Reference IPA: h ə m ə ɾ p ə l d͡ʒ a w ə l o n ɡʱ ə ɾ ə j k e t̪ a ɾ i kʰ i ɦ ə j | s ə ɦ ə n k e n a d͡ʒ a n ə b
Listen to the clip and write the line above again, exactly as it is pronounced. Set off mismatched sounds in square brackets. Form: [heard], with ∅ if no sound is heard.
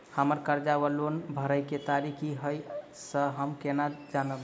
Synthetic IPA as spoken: h ə m ə ɾ [k] ə [ɾ] d͡ʒ a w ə l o n [bʱ] ə ɾ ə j k e t̪ a ɾ i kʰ i ɦ ə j | s ə ɦ ə [m] k e n a d͡ʒ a n ə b